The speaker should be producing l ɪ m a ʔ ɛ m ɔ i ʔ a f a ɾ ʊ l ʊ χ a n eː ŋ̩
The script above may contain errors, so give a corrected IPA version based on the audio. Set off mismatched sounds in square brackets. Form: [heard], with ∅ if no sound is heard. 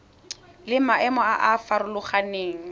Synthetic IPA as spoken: l ɪ m a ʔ ɛ m ɔ [a] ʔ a f a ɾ ʊ l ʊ χ a n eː ŋ̩